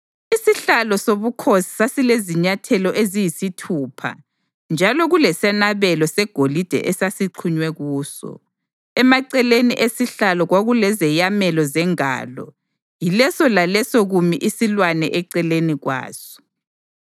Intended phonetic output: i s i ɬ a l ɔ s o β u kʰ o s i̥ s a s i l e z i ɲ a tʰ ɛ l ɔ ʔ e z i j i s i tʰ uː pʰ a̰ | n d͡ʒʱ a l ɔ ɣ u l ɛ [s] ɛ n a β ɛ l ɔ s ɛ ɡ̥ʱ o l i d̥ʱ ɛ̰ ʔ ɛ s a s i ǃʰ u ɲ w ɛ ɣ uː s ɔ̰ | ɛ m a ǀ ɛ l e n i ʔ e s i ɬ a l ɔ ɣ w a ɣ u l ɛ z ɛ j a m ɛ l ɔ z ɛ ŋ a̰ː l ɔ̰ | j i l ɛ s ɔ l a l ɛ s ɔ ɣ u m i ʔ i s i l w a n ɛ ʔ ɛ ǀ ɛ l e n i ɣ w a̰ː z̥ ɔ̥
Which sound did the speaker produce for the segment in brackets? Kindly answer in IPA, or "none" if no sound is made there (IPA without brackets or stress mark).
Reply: s